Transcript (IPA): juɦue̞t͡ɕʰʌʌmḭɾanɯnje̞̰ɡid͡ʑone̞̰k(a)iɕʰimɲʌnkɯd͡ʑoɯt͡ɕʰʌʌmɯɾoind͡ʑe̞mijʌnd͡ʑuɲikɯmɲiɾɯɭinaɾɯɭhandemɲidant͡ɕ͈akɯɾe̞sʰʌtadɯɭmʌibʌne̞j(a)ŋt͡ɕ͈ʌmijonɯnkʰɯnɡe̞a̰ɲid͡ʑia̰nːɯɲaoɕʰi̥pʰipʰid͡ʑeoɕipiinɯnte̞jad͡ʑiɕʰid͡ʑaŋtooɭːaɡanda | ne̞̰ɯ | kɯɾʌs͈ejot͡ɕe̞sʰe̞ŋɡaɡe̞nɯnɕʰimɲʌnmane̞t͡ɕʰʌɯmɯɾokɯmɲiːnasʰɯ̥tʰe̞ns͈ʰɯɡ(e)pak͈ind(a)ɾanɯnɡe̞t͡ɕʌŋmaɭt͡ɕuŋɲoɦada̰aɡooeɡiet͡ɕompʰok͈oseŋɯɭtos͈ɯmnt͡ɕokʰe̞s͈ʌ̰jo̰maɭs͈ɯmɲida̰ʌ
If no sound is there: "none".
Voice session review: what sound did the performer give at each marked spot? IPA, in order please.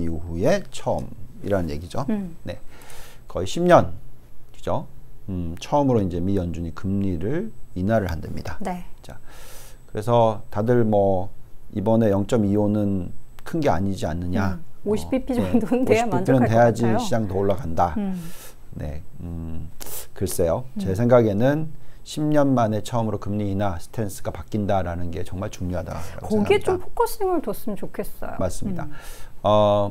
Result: ʌ, ʌ, a, a

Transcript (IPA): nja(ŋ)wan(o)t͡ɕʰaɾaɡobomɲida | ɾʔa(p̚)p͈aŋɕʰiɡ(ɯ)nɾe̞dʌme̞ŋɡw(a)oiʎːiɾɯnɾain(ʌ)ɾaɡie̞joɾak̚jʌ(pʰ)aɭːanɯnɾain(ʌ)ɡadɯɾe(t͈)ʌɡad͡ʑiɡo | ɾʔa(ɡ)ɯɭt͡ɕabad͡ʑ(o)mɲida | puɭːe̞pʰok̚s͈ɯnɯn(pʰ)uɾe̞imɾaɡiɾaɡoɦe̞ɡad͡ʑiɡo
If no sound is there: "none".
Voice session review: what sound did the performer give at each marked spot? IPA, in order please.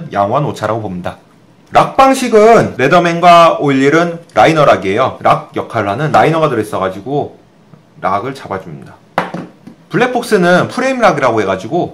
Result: ŋ, o, k̚, ɯ, a, ʌ, kʰ, ʌ, s͈, ɡ, u, pʰ

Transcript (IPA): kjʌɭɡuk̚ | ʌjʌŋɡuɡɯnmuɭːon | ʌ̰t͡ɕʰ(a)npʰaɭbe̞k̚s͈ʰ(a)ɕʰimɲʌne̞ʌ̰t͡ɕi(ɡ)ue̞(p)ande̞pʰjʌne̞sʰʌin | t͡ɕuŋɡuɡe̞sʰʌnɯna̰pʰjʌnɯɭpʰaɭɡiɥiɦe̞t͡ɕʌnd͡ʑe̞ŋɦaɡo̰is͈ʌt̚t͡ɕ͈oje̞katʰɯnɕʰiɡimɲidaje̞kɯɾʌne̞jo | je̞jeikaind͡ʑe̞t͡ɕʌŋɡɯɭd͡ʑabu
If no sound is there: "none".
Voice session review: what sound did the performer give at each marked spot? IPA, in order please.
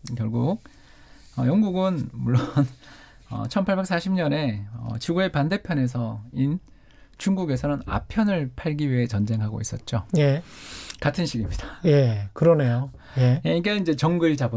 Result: ʌ, a, ɡ, p

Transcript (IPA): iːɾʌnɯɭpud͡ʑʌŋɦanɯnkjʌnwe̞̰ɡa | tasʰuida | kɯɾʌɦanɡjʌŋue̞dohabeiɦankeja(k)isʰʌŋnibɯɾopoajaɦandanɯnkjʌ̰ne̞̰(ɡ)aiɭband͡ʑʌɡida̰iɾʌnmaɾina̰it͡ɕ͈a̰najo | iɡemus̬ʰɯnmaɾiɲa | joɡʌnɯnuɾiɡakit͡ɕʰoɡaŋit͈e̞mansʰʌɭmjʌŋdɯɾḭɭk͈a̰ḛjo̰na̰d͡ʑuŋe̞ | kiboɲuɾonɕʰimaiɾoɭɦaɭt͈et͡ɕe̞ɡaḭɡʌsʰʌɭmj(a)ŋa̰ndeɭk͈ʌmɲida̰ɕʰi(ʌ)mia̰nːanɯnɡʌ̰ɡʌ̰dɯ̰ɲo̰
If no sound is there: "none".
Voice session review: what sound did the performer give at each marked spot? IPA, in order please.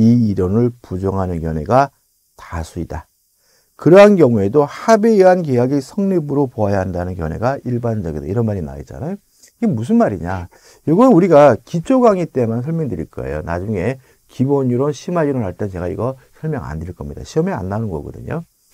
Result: ɡ, ɡ, ʌ, ʌ

